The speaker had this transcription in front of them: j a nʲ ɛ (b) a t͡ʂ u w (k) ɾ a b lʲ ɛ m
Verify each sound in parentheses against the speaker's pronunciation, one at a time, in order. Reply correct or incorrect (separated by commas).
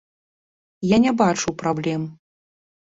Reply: correct, incorrect